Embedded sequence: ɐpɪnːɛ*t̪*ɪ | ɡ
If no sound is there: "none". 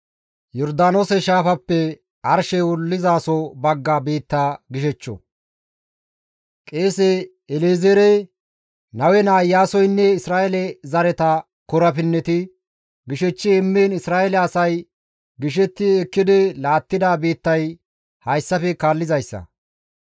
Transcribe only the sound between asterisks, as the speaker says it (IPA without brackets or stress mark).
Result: t̪